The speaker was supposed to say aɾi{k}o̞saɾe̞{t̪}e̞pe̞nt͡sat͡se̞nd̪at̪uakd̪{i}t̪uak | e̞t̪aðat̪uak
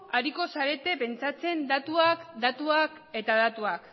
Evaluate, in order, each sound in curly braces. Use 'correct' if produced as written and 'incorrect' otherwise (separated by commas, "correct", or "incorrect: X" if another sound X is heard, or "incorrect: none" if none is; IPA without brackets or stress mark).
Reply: correct, correct, incorrect: a